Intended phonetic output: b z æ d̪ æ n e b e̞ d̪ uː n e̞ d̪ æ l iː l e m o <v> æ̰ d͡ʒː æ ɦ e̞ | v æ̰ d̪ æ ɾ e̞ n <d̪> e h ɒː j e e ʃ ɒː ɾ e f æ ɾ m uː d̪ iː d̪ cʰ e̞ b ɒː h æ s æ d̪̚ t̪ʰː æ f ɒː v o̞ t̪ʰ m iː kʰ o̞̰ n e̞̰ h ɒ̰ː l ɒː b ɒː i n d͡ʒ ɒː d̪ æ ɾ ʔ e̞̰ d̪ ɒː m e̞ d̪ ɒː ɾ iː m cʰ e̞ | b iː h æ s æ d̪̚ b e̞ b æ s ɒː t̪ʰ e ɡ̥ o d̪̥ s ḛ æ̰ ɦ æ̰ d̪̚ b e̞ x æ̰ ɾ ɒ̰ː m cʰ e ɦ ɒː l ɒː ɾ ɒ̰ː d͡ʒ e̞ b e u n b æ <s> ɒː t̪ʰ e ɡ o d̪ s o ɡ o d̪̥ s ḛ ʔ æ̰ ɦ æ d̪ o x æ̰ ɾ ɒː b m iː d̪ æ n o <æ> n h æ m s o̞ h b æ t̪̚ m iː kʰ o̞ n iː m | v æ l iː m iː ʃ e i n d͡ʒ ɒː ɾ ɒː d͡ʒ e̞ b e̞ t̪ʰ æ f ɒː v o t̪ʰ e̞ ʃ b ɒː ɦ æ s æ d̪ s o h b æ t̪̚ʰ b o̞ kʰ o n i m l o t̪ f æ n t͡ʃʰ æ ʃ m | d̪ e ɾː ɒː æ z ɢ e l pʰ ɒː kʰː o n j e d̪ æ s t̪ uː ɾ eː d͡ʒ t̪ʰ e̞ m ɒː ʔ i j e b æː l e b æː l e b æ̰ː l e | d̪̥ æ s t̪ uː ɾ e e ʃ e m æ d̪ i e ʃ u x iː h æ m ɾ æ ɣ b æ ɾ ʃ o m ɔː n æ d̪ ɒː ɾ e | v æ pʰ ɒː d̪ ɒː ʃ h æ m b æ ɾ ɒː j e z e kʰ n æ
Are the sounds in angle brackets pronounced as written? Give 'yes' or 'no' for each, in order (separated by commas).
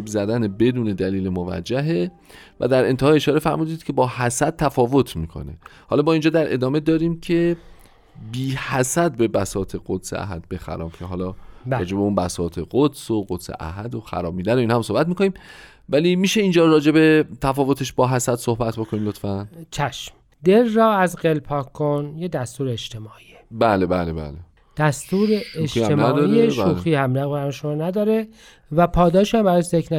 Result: yes, no, yes, no